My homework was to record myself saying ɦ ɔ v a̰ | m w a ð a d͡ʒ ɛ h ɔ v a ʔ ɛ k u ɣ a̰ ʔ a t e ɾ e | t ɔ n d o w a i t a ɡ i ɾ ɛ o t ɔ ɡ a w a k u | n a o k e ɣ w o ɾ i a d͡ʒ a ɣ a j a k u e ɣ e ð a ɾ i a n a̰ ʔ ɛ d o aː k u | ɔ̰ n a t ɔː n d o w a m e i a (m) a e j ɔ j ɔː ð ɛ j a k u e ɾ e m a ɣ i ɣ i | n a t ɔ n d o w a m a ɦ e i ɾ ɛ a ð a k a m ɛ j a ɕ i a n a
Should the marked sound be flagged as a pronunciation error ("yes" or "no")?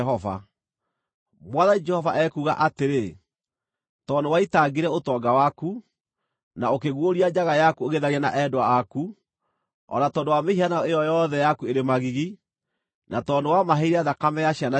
yes